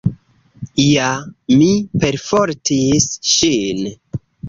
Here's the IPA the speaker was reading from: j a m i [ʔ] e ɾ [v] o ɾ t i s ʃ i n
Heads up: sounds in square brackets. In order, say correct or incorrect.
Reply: incorrect, incorrect

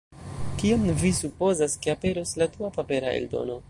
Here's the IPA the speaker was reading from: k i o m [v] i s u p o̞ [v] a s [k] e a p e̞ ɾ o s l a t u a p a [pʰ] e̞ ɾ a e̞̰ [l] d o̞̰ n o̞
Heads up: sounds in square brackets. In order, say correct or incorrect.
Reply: correct, incorrect, correct, incorrect, correct

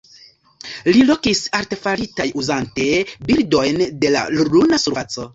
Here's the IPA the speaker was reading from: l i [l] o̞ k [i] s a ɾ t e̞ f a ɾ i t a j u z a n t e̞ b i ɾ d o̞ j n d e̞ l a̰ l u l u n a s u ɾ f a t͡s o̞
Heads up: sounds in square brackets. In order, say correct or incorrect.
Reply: correct, correct

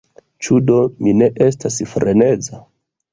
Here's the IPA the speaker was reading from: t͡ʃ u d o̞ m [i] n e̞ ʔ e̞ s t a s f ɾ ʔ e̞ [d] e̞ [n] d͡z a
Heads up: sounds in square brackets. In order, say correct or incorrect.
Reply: correct, incorrect, incorrect

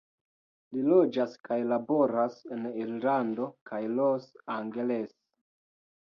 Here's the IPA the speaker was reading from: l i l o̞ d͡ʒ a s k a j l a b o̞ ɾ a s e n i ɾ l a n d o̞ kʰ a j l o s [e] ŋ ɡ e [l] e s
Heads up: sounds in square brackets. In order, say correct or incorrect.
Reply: incorrect, correct

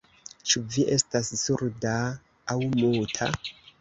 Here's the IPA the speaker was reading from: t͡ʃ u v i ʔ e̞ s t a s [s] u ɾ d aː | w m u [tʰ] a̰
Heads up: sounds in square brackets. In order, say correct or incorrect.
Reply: correct, correct

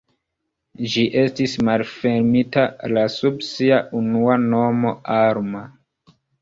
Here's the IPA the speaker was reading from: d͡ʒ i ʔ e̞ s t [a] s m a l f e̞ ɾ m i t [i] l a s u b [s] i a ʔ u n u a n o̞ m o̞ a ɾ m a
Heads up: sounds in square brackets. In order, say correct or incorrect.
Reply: incorrect, incorrect, correct

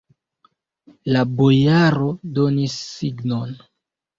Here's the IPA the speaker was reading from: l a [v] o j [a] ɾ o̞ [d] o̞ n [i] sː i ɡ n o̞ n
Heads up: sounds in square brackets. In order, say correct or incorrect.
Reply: incorrect, correct, correct, correct

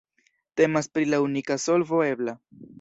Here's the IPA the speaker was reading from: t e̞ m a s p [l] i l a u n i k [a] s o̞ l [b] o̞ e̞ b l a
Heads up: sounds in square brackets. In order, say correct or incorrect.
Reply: incorrect, correct, incorrect

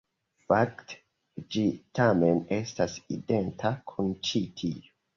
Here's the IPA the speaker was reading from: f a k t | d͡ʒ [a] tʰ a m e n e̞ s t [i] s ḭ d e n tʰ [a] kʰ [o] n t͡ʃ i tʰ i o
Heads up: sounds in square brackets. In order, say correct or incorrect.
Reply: incorrect, incorrect, correct, incorrect

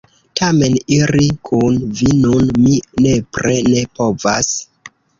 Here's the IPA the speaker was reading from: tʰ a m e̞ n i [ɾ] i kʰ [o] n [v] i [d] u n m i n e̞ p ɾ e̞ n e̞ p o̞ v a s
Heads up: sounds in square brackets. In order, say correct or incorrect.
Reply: correct, incorrect, correct, incorrect

